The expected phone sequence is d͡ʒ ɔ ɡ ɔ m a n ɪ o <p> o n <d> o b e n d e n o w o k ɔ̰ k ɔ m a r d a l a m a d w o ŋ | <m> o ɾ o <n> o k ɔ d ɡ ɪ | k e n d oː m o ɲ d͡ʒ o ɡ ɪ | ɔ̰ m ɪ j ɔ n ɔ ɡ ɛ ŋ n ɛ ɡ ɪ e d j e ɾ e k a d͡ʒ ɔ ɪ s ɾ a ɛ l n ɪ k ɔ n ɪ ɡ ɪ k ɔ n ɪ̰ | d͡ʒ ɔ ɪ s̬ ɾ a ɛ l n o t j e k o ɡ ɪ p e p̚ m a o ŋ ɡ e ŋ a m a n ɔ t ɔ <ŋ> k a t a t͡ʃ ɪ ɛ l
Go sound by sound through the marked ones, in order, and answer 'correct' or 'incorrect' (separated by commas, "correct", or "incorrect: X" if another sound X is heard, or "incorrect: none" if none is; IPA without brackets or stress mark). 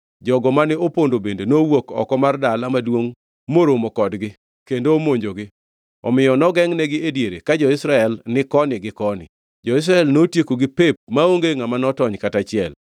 correct, correct, correct, incorrect: m, incorrect: ɲ